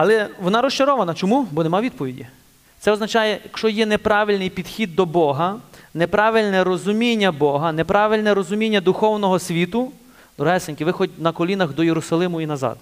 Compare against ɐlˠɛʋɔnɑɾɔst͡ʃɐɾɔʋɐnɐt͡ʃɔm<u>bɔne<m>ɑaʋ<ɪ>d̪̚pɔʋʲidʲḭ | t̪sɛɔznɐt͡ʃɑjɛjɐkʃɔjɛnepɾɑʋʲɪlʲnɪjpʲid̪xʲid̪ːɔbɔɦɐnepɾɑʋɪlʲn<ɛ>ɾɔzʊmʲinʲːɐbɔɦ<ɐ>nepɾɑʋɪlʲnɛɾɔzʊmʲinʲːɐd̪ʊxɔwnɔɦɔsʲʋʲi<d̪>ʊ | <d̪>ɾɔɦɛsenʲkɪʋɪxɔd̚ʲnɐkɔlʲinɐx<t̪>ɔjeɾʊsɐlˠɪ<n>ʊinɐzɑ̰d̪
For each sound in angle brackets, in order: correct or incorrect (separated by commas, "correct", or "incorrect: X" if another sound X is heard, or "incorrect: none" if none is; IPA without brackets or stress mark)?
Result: correct, correct, incorrect: i, correct, correct, incorrect: t̪, correct, incorrect: d̪, incorrect: m